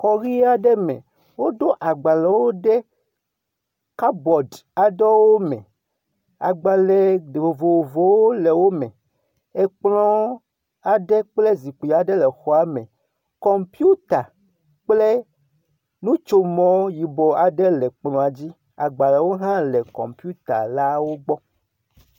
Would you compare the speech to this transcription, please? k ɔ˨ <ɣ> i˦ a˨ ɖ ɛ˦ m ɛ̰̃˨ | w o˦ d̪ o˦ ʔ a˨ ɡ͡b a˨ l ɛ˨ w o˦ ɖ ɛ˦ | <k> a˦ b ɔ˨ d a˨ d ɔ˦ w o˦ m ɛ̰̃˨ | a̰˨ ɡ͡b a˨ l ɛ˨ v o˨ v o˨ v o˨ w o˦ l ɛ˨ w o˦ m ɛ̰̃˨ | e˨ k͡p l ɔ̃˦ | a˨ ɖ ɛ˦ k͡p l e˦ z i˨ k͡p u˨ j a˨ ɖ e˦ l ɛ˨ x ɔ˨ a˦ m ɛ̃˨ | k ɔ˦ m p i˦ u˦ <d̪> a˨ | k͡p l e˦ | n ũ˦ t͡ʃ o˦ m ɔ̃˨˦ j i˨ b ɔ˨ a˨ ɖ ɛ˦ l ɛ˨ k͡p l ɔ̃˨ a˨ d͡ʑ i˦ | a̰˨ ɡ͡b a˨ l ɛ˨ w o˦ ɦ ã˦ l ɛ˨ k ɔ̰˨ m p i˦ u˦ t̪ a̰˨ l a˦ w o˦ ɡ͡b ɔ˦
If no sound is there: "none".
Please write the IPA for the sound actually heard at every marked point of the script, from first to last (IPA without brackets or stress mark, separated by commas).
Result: ɣ, k, t̪